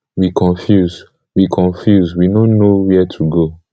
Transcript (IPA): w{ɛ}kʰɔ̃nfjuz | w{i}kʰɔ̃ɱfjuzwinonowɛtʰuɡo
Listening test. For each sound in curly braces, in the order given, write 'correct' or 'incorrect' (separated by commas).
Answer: incorrect, correct